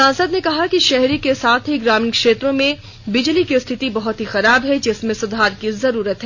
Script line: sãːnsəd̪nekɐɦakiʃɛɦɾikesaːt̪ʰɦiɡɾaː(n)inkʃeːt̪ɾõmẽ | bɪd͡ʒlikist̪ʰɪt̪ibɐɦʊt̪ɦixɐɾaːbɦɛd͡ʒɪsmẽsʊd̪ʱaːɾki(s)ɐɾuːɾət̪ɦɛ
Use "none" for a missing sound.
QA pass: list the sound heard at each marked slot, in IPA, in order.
m, z

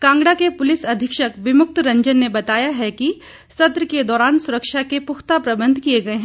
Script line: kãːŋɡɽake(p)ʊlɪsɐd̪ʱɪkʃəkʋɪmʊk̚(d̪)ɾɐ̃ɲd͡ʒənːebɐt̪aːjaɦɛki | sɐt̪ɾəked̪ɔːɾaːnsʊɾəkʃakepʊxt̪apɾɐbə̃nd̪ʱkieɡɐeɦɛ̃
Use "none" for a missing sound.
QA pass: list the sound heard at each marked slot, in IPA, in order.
p, t̪

